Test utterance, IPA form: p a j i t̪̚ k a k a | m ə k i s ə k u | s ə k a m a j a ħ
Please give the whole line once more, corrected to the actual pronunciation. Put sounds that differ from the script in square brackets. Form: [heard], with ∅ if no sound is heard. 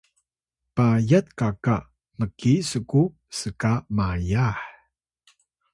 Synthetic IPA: p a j [a] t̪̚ k a k a | m ə k i s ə k u | s ə k a m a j a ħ